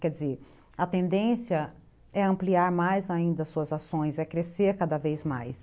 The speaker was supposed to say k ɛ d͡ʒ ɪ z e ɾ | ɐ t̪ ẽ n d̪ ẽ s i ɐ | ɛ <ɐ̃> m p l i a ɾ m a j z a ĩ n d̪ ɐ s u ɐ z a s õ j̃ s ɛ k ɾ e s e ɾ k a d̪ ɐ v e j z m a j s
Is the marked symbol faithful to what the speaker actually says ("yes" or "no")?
yes